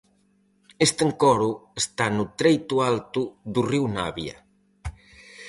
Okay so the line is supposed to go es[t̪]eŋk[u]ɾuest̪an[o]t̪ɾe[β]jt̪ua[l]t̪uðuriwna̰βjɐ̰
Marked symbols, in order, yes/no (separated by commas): yes, no, no, no, yes